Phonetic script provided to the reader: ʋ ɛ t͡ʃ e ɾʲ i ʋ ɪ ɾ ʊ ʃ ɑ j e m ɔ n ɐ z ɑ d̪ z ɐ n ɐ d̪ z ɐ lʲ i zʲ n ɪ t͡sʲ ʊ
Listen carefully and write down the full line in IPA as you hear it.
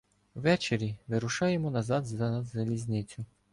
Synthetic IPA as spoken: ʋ ɛ t͡ʃ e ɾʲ i ʋ ɪ ɾ ʊ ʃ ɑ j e m ɔ n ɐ z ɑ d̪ z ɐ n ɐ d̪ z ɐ lʲ i zʲ n ɪ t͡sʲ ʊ